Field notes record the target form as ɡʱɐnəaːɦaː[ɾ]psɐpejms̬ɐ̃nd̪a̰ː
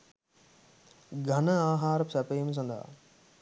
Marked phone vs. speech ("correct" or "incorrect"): correct